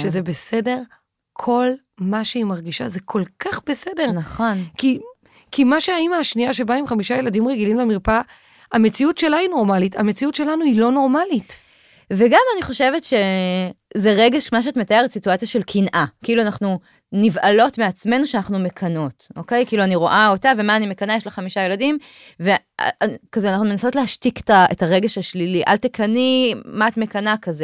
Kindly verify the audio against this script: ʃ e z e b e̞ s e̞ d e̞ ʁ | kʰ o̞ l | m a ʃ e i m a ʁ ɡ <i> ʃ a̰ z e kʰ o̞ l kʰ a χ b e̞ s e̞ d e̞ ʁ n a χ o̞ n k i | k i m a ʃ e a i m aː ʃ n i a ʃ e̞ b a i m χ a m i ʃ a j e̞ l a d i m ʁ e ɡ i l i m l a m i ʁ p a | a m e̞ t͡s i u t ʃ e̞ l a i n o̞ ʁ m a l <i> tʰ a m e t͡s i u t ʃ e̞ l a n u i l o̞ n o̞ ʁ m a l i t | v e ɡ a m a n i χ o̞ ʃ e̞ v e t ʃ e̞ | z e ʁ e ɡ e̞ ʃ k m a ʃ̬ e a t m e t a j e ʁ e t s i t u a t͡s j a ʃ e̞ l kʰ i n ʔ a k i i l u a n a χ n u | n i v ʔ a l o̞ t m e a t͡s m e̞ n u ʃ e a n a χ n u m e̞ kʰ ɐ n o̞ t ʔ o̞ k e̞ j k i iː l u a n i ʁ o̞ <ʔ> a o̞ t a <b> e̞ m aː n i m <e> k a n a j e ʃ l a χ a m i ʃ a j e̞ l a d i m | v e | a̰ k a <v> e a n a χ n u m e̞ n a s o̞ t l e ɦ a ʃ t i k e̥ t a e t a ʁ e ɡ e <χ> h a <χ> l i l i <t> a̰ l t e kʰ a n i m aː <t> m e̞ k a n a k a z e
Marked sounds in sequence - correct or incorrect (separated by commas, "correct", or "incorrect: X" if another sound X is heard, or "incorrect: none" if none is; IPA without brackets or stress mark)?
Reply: correct, correct, correct, incorrect: v, correct, incorrect: z, incorrect: ʃ, incorrect: ʃ, incorrect: ʔ, correct